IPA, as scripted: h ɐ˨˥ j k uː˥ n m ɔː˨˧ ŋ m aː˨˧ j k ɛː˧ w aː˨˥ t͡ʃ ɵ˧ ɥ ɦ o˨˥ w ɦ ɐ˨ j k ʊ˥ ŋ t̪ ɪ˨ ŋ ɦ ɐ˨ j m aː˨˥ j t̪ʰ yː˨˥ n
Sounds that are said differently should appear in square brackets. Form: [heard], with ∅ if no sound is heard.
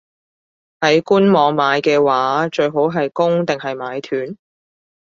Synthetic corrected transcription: h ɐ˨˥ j k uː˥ n m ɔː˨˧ ŋ m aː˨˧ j k ɛː˧ w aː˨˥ t͡ʃ ɵ˧ ɥ ɦ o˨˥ w ɦ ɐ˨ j k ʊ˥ ŋ t̪ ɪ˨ ŋ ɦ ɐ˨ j m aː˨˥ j t̪ʰ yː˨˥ n